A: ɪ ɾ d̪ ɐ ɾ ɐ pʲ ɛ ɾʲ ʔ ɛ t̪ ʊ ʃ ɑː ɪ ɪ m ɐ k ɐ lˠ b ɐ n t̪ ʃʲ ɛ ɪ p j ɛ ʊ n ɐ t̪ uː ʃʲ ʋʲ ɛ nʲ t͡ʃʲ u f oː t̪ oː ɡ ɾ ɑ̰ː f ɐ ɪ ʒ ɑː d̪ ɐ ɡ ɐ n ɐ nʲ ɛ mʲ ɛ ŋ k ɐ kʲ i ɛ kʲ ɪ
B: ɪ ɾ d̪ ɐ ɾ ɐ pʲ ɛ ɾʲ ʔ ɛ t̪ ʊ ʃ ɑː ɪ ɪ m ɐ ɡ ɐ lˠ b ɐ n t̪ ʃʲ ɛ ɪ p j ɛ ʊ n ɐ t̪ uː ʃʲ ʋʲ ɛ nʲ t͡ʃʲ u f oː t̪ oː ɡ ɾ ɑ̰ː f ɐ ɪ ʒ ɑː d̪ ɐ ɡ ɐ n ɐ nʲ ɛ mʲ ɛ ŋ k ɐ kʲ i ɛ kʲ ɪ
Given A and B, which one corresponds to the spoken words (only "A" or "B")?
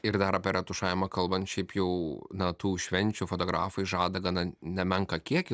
A